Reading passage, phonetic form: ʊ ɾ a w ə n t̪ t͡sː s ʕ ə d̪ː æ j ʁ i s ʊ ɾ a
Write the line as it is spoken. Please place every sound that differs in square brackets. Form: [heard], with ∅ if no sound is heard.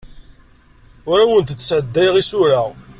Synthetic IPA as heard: ʊ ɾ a w ə n t̪ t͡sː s ʕ ə d̪ː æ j ʁ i s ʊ ɾ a